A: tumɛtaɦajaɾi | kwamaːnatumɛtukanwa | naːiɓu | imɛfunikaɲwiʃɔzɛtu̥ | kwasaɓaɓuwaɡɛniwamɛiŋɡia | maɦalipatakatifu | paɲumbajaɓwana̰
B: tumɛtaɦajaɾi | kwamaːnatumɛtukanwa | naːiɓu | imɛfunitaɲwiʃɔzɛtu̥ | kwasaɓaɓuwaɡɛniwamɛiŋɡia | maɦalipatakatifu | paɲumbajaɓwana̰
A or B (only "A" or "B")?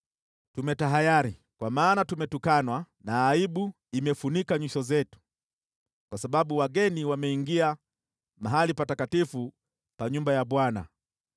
A